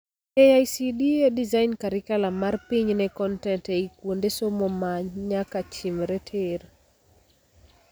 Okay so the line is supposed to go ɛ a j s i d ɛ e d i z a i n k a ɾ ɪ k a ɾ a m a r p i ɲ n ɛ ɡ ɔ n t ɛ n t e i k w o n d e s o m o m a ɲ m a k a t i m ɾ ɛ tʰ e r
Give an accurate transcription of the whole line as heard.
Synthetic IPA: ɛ a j s i d i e d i z a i n k a ɾ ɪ k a l a m a r p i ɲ n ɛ k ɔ n t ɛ n t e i k w o n d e s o m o m a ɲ ɲ a k a t͡ʃ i m ɾ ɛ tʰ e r